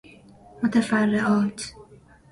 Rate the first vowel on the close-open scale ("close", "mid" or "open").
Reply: mid